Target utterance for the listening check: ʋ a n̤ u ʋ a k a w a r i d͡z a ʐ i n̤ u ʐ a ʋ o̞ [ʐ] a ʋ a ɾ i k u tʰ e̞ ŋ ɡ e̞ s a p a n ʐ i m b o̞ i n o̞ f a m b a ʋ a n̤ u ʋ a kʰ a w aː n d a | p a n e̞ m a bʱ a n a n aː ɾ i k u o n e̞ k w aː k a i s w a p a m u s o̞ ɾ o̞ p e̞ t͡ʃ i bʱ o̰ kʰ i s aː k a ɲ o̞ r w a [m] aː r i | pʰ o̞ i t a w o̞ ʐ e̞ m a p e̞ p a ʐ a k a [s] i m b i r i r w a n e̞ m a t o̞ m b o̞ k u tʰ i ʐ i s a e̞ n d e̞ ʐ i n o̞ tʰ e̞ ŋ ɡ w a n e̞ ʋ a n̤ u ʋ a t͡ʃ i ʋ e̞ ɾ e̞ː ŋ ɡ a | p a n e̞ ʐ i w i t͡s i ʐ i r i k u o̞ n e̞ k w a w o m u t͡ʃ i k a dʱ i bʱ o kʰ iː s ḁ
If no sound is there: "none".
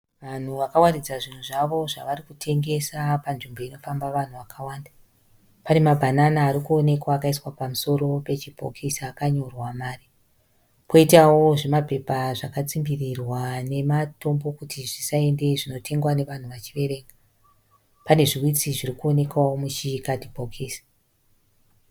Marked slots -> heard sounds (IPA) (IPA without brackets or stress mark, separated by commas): ʐ, m, t͡s